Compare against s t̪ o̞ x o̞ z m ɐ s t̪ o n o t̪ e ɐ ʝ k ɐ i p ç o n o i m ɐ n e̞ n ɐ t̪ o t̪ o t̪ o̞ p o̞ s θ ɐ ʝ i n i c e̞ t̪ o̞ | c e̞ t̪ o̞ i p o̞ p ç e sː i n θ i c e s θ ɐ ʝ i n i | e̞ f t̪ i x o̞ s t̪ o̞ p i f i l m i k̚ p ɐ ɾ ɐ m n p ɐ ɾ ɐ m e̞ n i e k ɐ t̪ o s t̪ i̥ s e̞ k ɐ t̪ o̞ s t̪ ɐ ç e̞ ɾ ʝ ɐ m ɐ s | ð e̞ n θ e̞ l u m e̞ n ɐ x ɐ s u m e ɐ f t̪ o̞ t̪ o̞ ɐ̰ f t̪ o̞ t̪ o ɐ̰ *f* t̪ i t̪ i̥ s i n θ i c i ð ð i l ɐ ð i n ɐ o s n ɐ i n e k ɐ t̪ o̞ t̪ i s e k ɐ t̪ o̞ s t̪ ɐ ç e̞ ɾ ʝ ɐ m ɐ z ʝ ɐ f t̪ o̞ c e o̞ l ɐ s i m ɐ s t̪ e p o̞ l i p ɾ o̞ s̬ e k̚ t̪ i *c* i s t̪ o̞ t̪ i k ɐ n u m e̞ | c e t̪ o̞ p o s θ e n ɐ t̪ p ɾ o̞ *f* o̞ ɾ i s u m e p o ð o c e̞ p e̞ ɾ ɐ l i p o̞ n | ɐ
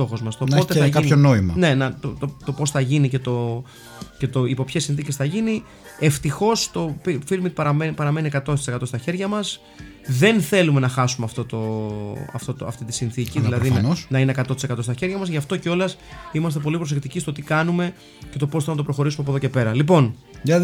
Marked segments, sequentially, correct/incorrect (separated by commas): correct, correct, incorrect